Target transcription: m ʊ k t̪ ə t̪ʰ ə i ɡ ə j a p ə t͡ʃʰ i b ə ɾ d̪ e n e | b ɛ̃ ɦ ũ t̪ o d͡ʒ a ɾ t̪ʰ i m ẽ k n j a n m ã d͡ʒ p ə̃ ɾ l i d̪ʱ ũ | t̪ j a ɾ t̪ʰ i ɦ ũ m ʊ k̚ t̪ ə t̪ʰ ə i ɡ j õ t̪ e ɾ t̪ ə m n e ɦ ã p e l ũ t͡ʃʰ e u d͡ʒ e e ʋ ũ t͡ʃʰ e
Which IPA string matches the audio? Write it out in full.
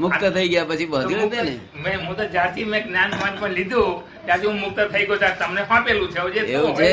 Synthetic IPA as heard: m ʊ k t̪ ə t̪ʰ ə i ɡ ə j a p ə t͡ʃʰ i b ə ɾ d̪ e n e | m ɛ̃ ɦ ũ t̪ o d͡ʒ a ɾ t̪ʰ i m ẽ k n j a n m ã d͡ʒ p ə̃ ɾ l i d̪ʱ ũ | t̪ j a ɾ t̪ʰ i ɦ ũ m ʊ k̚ t̪ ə t̪ʰ ə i ɡ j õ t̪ a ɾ t̪ ə m n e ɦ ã p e l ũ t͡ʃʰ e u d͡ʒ e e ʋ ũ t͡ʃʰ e